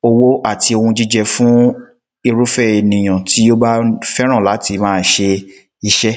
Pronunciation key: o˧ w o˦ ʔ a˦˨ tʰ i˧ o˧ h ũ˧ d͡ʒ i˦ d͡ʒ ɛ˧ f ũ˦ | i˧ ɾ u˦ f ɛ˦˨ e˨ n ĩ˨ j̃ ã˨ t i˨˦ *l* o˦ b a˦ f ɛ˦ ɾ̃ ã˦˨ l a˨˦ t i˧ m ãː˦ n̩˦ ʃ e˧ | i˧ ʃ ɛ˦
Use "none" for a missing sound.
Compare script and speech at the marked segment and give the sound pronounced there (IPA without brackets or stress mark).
none